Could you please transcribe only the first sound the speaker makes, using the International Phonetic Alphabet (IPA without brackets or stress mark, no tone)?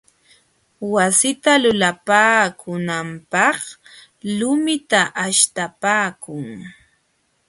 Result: w